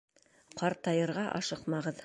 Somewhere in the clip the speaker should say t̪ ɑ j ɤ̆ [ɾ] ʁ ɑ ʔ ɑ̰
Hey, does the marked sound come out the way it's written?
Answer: yes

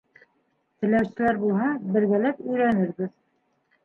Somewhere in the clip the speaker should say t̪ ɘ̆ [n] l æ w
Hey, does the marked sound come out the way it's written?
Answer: no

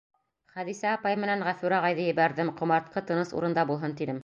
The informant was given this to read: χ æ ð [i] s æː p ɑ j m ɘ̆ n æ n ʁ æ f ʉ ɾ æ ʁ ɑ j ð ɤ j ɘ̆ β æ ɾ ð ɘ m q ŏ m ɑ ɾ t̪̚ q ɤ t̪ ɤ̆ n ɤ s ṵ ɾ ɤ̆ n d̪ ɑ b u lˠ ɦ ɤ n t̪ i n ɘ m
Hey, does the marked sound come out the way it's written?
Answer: yes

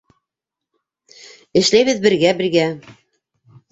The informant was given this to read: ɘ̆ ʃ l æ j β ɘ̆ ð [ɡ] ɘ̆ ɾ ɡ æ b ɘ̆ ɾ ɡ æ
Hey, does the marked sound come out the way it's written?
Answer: no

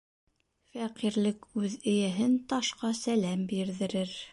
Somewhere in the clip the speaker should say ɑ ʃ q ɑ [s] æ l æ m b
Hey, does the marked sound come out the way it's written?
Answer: yes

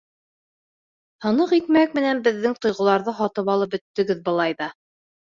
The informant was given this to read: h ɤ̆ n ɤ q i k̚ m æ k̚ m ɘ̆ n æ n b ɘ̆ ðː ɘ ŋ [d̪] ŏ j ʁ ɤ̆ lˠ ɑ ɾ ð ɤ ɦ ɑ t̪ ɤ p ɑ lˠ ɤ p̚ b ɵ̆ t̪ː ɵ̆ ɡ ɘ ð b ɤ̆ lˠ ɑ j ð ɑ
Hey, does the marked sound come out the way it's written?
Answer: no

